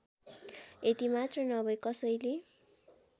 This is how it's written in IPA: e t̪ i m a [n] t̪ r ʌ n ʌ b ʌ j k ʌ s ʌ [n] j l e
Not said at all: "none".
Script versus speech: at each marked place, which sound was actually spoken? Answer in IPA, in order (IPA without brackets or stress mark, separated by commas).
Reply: none, none